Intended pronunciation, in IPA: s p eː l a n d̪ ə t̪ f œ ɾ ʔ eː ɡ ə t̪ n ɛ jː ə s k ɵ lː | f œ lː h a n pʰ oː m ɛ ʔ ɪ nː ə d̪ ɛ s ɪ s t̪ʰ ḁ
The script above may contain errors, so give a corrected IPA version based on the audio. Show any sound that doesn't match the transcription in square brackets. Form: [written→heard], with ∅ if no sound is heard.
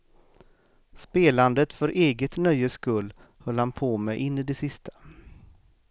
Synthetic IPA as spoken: s p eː l a n d̪ ə t̪ f œ ɾ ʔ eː ɡ ə t̪ n [ɛ→œ] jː ə s k ɵ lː | [f→h] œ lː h a n pʰ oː m ɛ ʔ ɪ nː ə d̪ ɛ s ɪ s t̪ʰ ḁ